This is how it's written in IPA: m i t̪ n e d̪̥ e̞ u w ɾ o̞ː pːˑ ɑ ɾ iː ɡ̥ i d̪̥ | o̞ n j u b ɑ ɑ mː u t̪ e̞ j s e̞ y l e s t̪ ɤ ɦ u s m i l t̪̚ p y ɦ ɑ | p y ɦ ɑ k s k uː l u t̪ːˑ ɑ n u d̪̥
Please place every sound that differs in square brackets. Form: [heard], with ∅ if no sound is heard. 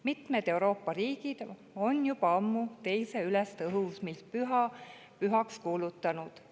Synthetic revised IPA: m i t̪ [m] e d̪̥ e̞ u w ɾ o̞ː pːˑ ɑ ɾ iː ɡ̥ i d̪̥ | o̞ n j u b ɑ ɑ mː u t̪ e̞ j s e̞ y l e s t̪ ɤ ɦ u s m i l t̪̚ p y ɦ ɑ | p y ɦ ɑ k s k uː l u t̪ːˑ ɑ n u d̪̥

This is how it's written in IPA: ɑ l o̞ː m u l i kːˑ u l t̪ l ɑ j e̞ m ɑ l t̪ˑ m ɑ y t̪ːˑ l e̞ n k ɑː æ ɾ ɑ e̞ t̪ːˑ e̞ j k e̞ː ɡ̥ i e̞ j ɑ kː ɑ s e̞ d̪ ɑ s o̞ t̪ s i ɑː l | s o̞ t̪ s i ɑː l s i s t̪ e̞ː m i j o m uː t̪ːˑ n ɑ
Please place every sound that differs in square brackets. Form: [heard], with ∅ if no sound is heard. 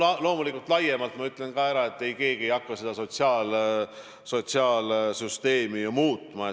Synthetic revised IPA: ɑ l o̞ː m u l i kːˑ u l t̪ l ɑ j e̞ m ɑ l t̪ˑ m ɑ y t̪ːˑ l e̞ n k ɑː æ ɾ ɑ e̞ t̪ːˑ e̞ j k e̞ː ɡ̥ i e̞ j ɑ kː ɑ s e̞ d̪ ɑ s o̞ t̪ s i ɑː l | s o̞ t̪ s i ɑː l s [y] s t̪ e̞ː m i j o m uː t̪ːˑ [m] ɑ

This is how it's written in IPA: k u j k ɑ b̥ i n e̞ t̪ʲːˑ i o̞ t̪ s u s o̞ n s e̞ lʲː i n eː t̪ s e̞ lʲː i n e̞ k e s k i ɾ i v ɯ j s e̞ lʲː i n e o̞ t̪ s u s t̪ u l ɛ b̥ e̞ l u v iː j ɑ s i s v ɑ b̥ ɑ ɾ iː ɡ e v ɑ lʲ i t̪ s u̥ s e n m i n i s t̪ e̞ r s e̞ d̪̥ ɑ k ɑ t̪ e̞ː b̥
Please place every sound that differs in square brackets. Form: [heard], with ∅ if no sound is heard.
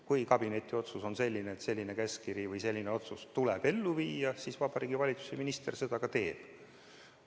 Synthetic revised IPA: k u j k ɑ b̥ i n e̞ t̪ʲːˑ i o̞ t̪ s u s o̞ n s e̞ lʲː i n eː t̪ s e̞ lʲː i n e̞ k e s k i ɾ i v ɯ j s e̞ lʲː i n e o̞ t̪ s u s t̪ u l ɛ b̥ e̞ [lː] u v iː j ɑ s i s v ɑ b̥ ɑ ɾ iː ɡ [i] v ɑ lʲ i t̪ s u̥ s e [∅] m i n i s t̪ e̞ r s e̞ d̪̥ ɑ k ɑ t̪ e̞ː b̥

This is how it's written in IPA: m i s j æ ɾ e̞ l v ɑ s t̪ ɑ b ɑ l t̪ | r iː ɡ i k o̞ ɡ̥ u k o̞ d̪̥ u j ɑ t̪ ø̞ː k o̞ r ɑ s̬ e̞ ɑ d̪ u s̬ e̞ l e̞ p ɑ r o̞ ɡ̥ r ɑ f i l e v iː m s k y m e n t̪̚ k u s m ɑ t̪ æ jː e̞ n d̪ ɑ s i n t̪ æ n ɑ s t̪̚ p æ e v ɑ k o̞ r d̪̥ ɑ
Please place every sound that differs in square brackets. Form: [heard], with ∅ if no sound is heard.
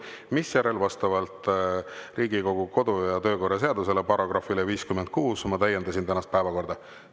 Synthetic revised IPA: m i s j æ ɾ e̞ l v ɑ s t̪ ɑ [v] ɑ l t̪ | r iː ɡ i k o̞ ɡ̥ u k o̞ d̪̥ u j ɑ t̪ ø̞ː k o̞ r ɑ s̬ e̞ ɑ d̪ u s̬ e̞ l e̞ p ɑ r o̞ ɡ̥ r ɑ f i l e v iː [∅] s k y m e n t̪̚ k [uː] s m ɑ t̪ æ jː e̞ n d̪ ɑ s i n t̪ æ n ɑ s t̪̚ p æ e v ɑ k o̞ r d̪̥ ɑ

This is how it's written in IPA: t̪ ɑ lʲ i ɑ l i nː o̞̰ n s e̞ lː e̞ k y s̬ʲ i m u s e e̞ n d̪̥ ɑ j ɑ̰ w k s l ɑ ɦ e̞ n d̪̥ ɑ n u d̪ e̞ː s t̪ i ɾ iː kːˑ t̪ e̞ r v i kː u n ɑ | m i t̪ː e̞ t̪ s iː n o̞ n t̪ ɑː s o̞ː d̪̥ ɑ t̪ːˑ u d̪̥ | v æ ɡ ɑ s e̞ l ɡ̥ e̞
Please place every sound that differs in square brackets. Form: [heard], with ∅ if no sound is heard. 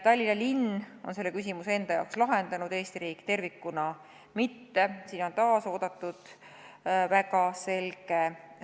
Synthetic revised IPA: t̪ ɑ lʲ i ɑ l i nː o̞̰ n s e̞ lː e̞ k y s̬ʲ i m u s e e̞ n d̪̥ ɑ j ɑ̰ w k s l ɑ ɦ e̞ n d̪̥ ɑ n u d̪ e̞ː s t̪ i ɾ iː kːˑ t̪ e̞ r v i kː u n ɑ | m i t̪ː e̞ [∅] s iː n o̞ n t̪ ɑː s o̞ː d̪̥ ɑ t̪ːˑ u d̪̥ | v æ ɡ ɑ s e̞ l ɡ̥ e̞

